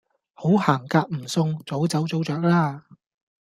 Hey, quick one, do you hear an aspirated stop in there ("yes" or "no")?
no